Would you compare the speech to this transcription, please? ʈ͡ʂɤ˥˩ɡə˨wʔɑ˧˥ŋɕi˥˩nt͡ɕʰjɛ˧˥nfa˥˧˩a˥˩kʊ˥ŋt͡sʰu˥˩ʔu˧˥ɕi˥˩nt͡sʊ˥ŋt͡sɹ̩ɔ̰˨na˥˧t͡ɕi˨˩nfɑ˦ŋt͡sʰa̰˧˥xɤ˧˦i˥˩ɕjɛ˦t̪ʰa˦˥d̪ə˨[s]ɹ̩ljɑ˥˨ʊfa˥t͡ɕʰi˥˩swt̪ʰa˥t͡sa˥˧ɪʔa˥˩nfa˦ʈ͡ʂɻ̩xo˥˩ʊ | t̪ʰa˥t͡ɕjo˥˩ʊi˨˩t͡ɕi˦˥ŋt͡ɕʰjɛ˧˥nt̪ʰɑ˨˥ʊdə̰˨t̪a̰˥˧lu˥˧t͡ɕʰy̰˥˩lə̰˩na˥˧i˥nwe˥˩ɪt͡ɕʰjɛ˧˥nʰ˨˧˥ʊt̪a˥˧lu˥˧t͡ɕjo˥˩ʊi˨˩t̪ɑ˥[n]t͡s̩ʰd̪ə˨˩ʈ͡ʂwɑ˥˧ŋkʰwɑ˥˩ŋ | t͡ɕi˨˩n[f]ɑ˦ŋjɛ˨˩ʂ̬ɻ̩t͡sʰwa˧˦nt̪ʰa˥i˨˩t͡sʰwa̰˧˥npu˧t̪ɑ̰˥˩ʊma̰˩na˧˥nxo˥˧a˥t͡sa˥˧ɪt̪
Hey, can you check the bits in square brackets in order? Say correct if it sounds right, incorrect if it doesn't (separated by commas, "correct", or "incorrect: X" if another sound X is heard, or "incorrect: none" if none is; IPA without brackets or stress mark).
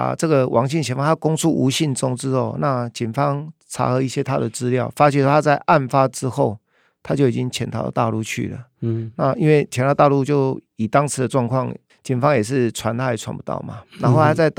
incorrect: t͡s, incorrect: ŋ, correct